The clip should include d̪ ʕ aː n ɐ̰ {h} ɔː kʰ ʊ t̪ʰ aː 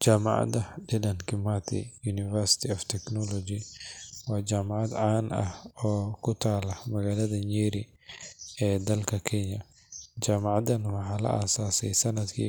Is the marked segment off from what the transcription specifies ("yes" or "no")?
no